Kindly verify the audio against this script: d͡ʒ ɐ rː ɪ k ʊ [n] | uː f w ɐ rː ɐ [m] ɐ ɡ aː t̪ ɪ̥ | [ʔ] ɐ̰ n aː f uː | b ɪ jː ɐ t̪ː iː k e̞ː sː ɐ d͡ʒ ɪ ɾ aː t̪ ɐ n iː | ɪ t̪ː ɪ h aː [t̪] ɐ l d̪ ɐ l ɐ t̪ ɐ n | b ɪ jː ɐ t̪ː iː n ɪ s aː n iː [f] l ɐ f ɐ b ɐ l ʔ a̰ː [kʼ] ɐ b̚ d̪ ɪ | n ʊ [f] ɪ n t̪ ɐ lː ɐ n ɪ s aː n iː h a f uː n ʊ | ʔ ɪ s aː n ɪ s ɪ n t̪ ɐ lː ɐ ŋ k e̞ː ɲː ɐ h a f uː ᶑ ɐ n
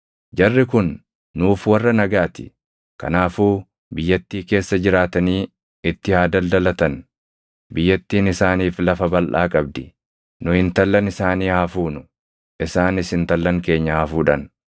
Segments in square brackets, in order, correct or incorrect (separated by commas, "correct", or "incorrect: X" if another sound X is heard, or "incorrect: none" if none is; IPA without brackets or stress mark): incorrect: nː, incorrect: n, incorrect: k, incorrect: d̪, correct, correct, incorrect: h